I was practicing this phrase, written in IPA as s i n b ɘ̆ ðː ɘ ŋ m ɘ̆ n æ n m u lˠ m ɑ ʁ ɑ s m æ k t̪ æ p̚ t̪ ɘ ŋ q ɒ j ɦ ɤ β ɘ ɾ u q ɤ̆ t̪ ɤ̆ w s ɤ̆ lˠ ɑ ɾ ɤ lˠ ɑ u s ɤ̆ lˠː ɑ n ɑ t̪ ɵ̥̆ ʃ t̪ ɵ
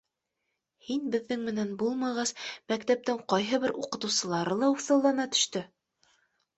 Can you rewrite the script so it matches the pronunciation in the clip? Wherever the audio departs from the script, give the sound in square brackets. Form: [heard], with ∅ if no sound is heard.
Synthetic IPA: [h] i n b ɘ̆ ðː ɘ ŋ m ɘ̆ n æ n [b] u lˠ m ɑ ʁ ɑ s m æ k t̪ æ p̚ t̪ ɘ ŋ q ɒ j ɦ ɤ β ɘ ɾ u q ɤ̆ t̪ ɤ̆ w s ɤ̆ lˠ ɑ ɾ ɤ lˠ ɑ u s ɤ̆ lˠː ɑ n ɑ t̪ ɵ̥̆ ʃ t̪ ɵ